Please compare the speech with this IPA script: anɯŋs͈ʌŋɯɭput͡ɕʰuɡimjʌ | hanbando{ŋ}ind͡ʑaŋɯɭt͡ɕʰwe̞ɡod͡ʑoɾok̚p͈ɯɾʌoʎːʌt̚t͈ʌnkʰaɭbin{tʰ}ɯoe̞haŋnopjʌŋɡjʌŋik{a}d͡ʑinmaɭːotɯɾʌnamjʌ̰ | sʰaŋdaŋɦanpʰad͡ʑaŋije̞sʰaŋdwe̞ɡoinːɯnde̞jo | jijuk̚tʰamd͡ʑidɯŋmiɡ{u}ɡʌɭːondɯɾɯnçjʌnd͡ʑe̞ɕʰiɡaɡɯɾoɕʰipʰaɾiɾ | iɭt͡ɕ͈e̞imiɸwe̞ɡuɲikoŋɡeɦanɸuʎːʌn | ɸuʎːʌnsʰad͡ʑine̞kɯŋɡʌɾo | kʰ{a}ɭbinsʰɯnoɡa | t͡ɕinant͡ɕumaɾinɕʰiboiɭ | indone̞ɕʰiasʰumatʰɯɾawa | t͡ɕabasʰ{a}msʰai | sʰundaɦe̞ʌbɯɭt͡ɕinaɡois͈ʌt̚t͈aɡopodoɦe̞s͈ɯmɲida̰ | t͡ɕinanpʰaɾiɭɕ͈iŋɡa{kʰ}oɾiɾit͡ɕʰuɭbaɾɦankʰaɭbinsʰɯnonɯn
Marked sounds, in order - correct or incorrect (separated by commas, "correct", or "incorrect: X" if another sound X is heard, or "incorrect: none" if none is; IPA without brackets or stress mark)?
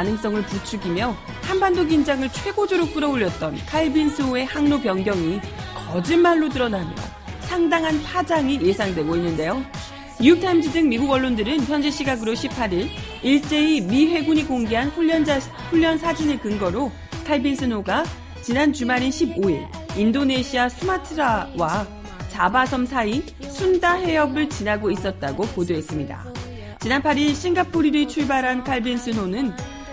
incorrect: ɡ, incorrect: sʰ, incorrect: ʌ, correct, correct, incorrect: ʌ, incorrect: pʰ